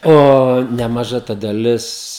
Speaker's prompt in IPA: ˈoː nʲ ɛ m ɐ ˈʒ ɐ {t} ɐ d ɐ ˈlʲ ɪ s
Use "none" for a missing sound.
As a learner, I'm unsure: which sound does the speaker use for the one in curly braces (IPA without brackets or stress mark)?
t